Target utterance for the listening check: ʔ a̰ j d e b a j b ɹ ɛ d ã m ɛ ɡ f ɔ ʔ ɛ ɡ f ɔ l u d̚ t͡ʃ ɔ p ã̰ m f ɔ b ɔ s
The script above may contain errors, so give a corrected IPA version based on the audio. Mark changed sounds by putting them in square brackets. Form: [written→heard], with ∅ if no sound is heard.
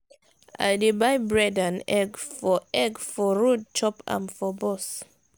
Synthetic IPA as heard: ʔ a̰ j d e b a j b ɹ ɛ d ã [m→n] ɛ ɡ f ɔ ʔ ɛ ɡ f ɔ [l→ɹ] u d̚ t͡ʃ ɔ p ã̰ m f ɔ b ɔ s